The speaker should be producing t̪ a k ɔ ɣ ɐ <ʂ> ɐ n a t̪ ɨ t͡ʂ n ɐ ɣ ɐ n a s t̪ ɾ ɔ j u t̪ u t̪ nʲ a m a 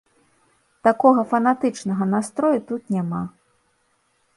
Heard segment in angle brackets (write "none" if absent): f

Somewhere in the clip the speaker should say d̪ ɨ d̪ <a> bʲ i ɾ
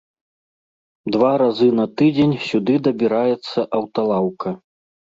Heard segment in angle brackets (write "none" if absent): ɐ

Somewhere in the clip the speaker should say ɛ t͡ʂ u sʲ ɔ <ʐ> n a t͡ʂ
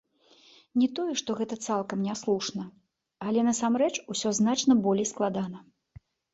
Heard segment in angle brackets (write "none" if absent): z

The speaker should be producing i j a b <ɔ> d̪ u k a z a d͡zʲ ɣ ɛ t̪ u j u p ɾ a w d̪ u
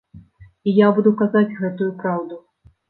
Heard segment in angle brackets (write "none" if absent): u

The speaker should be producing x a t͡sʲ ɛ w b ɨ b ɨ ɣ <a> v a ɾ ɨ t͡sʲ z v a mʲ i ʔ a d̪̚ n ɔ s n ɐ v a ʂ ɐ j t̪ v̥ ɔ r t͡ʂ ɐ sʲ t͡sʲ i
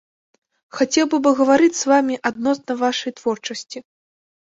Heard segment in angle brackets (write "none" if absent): ɐ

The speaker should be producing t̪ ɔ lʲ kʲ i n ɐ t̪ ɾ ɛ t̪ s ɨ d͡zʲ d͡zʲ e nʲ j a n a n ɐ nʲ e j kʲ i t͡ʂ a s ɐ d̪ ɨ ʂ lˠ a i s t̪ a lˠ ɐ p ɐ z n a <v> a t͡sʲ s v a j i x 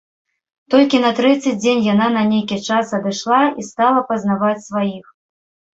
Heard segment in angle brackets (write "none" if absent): v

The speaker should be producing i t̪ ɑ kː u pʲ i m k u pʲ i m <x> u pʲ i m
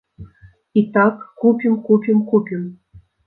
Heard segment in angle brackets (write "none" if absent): k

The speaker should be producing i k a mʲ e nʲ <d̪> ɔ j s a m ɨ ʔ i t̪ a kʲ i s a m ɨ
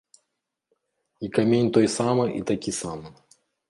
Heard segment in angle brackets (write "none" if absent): t̪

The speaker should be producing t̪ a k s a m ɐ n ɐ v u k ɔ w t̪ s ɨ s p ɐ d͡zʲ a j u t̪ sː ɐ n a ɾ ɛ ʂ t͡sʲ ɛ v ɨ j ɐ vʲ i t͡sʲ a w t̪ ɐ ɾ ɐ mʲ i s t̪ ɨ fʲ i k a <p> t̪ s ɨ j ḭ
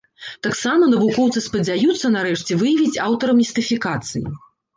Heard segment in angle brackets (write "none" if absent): none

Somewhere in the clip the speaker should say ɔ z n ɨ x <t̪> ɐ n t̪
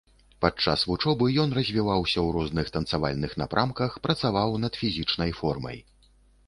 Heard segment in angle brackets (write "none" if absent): t̪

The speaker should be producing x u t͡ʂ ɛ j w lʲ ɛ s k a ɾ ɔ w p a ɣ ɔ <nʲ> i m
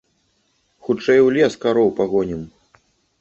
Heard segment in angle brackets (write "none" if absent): nʲ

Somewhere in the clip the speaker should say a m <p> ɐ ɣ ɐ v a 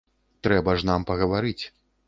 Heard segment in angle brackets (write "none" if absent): p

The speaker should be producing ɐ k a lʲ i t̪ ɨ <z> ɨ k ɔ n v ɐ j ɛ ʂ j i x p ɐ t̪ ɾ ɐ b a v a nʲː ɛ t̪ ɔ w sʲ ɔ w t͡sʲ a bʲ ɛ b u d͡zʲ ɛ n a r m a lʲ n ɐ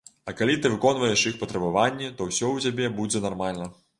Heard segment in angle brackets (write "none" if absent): v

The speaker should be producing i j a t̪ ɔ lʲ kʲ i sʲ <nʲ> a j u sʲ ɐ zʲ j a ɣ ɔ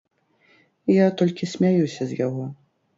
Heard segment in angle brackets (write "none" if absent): mʲ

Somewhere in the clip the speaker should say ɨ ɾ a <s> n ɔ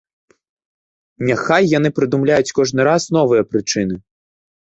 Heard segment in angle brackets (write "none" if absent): s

